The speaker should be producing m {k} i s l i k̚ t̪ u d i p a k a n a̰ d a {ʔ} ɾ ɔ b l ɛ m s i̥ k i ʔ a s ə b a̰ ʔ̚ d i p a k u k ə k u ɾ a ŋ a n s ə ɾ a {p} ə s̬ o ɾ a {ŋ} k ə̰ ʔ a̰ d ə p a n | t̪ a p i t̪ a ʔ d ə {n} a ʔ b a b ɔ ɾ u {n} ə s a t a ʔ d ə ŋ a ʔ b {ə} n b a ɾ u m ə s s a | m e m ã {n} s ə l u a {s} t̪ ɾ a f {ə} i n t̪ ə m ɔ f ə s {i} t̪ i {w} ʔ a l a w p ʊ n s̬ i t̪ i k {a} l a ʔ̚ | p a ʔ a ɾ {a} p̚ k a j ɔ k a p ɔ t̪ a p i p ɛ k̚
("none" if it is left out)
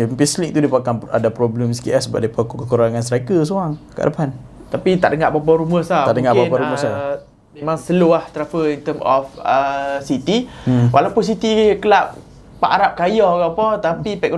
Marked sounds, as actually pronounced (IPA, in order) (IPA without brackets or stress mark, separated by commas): p, p, k, ŋ, ŋ, m, a, ŋ, h, ə, i, w, ə, a